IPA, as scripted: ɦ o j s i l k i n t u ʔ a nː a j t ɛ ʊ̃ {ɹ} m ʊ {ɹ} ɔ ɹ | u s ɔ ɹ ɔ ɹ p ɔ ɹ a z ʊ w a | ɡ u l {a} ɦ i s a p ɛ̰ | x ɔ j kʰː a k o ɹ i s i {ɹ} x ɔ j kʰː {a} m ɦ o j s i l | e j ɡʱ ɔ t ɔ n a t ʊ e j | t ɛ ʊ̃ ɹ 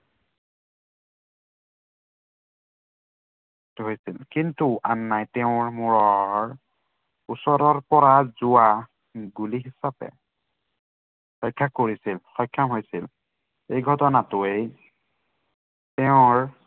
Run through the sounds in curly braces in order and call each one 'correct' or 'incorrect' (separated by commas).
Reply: correct, correct, incorrect, incorrect, correct